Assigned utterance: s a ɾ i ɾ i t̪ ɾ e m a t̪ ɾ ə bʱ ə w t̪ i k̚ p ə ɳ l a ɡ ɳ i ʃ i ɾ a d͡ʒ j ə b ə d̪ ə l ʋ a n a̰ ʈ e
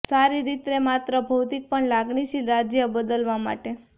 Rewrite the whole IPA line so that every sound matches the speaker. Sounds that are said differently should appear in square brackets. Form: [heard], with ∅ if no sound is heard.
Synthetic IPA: s a ɾ i ɾ i t̪ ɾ e m a t̪ ɾ ə bʱ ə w t̪ i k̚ p ə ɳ l a ɡ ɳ i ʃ i ɾ a d͡ʒ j ə b ə d̪ ə l ʋ a [m] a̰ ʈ e